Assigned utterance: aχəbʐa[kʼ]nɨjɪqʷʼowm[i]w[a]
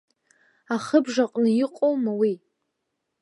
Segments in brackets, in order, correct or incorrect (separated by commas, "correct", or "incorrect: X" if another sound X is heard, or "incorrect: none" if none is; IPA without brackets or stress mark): incorrect: qʼ, incorrect: a, incorrect: i